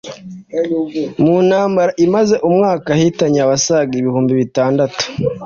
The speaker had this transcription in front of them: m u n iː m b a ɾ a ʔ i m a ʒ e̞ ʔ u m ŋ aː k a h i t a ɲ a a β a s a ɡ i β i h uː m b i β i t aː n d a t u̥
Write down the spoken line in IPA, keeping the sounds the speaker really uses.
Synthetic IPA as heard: m u n aː m b a ɾ a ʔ i m a z e̞ ʔ u m ŋ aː k a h i t a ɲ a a β a s a ɡ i β i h uː m b i β i t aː n d a t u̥